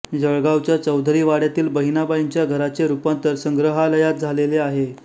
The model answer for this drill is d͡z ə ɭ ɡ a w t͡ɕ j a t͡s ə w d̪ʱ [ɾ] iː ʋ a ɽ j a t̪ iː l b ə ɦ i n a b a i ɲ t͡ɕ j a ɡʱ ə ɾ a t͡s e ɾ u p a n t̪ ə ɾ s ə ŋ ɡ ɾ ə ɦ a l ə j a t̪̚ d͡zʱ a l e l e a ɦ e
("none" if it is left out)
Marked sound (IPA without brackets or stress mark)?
ɾ